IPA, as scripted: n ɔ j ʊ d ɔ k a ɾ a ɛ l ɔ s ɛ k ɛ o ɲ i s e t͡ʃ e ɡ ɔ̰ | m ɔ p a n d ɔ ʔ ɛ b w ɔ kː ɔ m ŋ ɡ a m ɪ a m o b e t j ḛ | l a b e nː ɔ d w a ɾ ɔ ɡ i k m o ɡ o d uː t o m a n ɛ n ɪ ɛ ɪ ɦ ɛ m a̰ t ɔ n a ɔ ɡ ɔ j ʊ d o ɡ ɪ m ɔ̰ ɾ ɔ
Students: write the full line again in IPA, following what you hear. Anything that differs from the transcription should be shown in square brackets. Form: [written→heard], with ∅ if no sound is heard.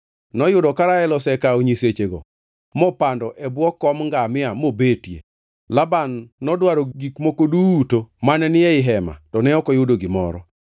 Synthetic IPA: n ɔ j ʊ d ɔ k a ɾ a ɛ l ɔ s ɛ k [ɛ→a] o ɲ i s e t͡ʃ e ɡ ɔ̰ | m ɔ p a n d ɔ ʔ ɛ b w ɔ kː ɔ m ŋ ɡ a m ɪ a m o b e t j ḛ | l a b [e→a] nː ɔ d w a ɾ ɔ ɡ i k m o [ɡ→k] o d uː t o m a n ɛ n ɪ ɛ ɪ ɦ ɛ m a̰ t ɔ n [a→ɛ] ɔ [ɡ→k] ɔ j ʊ d o ɡ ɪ m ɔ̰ ɾ ɔ